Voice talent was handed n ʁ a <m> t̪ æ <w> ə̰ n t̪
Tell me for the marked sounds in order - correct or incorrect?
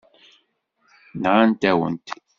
incorrect: n, correct

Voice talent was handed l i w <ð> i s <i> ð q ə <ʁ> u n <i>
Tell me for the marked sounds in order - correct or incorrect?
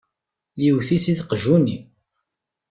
incorrect: θ, correct, incorrect: ʒ, correct

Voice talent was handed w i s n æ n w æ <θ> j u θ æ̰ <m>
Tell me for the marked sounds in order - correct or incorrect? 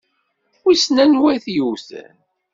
correct, incorrect: n

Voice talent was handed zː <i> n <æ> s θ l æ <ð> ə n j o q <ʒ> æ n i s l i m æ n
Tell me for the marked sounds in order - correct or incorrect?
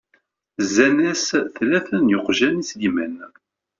incorrect: æ, correct, incorrect: θ, correct

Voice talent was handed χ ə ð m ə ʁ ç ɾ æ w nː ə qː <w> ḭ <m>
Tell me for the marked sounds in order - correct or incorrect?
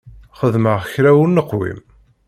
correct, correct

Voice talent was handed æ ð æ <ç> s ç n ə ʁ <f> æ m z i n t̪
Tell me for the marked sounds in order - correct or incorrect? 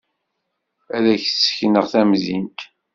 correct, incorrect: θ

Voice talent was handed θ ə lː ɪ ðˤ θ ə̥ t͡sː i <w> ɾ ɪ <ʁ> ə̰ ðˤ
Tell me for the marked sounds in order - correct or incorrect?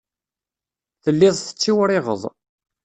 correct, correct

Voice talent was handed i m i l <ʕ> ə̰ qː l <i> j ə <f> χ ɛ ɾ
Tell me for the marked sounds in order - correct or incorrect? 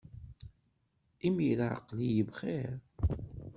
correct, correct, incorrect: v

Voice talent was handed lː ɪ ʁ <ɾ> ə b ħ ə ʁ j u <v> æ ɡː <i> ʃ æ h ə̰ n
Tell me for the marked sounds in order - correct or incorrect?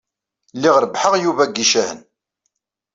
correct, correct, correct

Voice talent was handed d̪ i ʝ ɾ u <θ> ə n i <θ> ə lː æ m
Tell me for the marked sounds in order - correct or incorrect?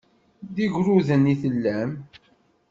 incorrect: ð, correct

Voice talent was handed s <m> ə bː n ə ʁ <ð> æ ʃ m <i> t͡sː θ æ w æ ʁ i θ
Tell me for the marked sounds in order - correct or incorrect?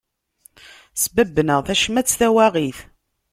incorrect: b, incorrect: θ, incorrect: æ

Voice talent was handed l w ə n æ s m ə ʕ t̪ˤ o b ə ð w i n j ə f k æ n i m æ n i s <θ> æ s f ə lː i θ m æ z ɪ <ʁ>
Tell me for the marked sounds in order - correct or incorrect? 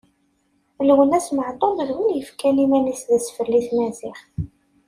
incorrect: ð, incorrect: χ

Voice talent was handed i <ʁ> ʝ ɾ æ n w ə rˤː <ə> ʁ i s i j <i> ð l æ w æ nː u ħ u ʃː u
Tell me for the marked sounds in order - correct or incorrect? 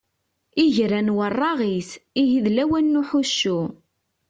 incorrect: none, incorrect: ɑ, correct

